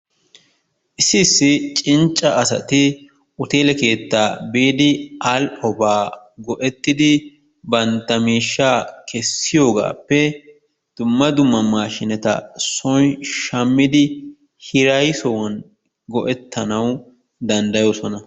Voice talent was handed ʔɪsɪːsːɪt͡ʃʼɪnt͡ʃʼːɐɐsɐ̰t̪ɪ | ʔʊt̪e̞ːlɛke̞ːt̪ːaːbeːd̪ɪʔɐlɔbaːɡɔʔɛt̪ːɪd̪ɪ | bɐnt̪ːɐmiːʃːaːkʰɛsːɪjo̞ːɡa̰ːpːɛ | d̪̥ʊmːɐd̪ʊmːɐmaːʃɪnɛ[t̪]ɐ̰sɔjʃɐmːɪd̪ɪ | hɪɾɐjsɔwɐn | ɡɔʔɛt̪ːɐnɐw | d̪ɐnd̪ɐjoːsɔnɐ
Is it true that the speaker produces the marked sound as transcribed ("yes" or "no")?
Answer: yes